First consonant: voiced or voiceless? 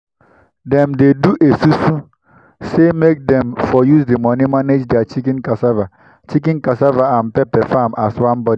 voiced